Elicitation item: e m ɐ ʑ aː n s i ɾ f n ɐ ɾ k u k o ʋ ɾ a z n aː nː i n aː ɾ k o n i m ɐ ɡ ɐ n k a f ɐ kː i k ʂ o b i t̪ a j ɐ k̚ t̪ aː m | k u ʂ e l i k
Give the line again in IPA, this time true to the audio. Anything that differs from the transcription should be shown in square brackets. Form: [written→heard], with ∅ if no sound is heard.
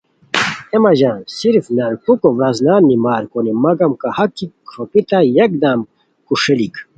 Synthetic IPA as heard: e m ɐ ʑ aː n s i ɾ f n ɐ ɾ k u k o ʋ ɾ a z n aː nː i [n→m] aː ɾ k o n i m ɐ ɡ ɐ [n→m] k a [f→h] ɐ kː i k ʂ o [b→p] i t̪ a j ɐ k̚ [t̪→d̪] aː m | k u ʂ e l i k